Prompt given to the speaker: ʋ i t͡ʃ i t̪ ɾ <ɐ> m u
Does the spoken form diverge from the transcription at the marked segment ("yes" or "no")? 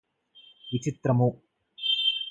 no